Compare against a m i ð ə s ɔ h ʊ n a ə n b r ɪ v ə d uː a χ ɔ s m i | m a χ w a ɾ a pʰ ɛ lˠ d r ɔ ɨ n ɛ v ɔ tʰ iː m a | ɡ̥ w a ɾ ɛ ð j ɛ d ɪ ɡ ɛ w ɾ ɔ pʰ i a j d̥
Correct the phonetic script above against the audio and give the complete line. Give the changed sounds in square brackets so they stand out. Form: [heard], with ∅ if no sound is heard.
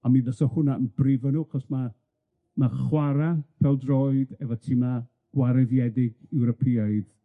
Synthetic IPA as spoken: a m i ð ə s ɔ h ʊ n a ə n b r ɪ v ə [n] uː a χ ɔ s m [a] | m a χ w a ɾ a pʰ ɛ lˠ d r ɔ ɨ [d] ɛ v ɔ tʰ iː m a | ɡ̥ w a ɾ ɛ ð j ɛ d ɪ ɡ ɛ w ɾ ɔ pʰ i a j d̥

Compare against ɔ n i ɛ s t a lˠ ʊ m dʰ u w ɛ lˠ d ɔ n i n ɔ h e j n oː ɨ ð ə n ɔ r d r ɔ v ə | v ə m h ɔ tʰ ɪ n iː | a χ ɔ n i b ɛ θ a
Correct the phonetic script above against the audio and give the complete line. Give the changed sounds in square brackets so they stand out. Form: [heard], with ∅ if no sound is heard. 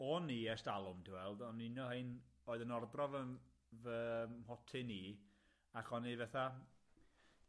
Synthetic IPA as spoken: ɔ n i ɛ s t a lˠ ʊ m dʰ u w ɛ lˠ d ɔ n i n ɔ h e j n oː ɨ ð ə n ɔ r d r ɔ v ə | v ə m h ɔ tʰ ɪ n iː | a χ ɔ n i [v] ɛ θ a

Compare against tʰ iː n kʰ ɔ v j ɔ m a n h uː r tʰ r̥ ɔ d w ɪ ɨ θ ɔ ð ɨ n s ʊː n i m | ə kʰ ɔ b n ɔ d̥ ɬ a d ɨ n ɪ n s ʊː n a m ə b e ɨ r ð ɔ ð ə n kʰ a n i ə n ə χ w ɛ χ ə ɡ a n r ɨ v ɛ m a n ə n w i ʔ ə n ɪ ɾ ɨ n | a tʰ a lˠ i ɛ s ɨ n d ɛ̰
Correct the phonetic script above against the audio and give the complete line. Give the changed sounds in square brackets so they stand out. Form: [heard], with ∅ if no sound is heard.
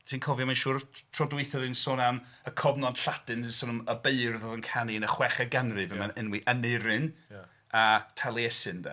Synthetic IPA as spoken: tʰ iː n kʰ ɔ v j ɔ m a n [ʃ] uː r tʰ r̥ ɔ d w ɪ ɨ θ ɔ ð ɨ n s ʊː n [a] m | ə kʰ ɔ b n ɔ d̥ ɬ a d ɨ n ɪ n s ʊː n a m ə b e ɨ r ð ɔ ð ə n kʰ a n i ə n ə χ w ɛ χ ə ɡ a n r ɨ v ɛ m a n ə n w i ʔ ə n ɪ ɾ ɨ n | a tʰ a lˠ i ɛ s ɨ n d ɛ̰

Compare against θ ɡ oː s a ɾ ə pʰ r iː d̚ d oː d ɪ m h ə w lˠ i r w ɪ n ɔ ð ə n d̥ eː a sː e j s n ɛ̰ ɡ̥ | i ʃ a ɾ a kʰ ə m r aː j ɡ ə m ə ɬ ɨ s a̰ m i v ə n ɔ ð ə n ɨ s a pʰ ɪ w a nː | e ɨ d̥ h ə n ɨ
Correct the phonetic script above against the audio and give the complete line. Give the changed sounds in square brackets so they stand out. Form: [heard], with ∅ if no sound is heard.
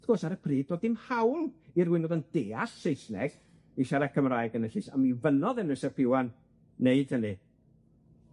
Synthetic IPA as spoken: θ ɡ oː s a ɾ ə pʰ r iː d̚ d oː d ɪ m h [a] w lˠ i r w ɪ n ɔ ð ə n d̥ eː a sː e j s n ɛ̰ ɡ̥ | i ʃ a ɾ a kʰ ə m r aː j ɡ ə [n] ə ɬ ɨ s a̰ m i v ə n ɔ ð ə n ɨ s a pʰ ɪ w a nː | e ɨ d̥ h ə n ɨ

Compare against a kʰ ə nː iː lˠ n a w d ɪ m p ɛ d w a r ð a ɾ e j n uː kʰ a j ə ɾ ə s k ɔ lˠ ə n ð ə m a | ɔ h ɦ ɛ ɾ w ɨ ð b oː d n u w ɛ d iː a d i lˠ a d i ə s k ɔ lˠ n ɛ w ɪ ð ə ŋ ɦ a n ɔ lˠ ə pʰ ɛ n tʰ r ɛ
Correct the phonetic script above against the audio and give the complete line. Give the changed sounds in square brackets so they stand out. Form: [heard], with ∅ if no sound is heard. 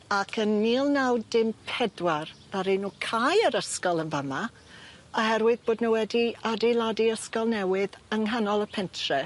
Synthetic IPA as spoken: a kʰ ə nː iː lˠ n a w d ɪ m [pʰ] ɛ d w a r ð a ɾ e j n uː kʰ a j ə ɾ ə s k ɔ lˠ ə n [v] ə m a | ɔ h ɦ ɛ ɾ w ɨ ð b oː d n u w ɛ d [i] a d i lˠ a d i ə s k ɔ lˠ n ɛ w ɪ ð ə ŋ ɦ a n ɔ lˠ ə pʰ ɛ n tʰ r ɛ

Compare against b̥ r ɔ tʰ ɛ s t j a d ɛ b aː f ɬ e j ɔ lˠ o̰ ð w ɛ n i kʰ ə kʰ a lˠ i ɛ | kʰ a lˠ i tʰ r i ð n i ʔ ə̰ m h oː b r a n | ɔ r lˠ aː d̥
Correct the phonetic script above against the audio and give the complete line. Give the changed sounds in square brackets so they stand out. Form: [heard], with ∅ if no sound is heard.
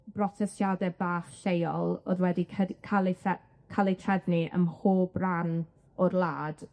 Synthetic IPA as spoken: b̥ r ɔ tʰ ɛ s t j a d ɛ b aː [χ] ɬ e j ɔ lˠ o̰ ð w ɛ [d] i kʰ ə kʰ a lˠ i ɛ | kʰ a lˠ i tʰ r [ɛ] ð n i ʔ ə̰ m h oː b r a n | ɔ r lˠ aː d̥

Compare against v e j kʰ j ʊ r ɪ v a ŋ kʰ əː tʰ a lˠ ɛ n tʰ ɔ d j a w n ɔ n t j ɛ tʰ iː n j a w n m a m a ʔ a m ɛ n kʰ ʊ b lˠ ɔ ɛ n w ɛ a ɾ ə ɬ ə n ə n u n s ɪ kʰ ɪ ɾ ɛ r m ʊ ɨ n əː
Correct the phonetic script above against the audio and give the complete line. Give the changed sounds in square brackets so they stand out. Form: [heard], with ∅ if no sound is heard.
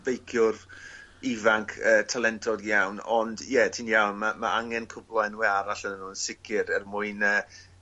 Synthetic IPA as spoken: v e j kʰ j ʊ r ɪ v a ŋ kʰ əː tʰ a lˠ ɛ n tʰ ɔ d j a w n ɔ n [d] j ɛ tʰ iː n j a w n m a m a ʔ a [ŋ] ɛ n kʰ ʊ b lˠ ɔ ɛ n w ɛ a ɾ [a] ɬ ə n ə n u n s ɪ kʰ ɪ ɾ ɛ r m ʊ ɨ n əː

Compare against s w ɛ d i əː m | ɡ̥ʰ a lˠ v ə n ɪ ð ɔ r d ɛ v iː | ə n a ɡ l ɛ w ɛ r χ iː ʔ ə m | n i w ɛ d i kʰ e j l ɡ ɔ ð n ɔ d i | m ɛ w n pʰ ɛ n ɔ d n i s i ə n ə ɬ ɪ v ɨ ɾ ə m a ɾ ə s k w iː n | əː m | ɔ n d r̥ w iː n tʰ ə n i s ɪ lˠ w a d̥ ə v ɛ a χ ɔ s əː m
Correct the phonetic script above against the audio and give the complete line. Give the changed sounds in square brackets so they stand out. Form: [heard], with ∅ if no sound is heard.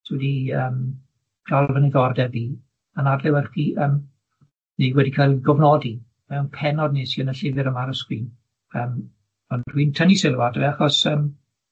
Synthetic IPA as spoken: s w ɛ d i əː m | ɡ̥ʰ a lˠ v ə n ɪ ð ɔ r d ɛ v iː | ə n a [d] l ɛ w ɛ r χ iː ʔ ə m | n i w ɛ d i kʰ [a] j l ɡ ɔ [v] n ɔ d i | m ɛ w n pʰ ɛ n ɔ d n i s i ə n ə ɬ ɪ v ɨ ɾ ə m a ɾ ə s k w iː n | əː m | ɔ n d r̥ w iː n tʰ ə n i s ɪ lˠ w a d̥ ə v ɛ a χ ɔ s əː m

